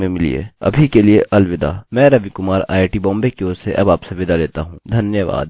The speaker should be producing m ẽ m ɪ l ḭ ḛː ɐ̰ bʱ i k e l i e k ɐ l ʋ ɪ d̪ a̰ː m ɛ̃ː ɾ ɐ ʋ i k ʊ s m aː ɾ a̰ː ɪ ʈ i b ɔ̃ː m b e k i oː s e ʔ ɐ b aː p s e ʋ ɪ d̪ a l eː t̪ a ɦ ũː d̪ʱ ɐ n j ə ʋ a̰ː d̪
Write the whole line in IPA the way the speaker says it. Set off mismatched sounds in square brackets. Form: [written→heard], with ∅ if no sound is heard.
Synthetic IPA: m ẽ m ɪ l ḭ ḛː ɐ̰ bʱ i k e l i e [k→ʔ] ɐ l ʋ ɪ d̪ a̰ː m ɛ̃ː ɾ ɐ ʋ i k ʊ [s→∅] m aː ɾ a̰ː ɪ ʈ i b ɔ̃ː m b e k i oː s e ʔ ɐ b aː p s e ʋ ɪ d̪ a l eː t̪ a ɦ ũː d̪ʱ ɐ n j ə ʋ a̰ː d̪